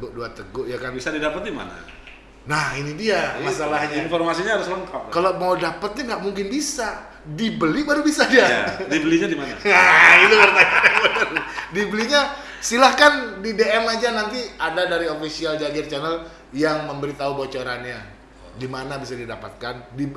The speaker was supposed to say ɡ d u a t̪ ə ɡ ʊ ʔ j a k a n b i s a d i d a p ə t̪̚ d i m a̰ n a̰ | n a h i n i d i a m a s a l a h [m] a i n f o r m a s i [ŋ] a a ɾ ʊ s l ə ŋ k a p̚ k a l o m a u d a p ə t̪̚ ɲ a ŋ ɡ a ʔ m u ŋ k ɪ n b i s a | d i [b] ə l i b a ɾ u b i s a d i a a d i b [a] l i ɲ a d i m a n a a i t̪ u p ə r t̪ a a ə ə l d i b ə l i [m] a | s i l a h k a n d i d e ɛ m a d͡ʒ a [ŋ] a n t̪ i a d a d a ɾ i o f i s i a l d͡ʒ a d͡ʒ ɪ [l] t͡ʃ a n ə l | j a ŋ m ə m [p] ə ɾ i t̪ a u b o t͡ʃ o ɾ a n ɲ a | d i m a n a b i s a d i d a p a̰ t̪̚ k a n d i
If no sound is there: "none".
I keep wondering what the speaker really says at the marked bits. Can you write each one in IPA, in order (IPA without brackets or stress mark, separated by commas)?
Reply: ɲ, ɲ, b, ə, ɲ, n, r, b